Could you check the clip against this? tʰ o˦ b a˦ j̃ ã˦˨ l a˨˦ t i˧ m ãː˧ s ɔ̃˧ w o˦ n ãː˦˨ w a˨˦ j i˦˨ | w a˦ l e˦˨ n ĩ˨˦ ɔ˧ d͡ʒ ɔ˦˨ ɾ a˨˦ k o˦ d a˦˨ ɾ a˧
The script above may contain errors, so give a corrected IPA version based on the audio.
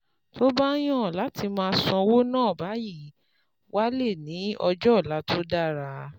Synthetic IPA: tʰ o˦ b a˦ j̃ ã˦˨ l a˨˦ t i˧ m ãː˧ s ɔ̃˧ w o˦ n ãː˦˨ b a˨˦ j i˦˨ | w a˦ l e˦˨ n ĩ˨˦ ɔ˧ d͡ʒ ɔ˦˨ l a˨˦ t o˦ d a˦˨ ɾ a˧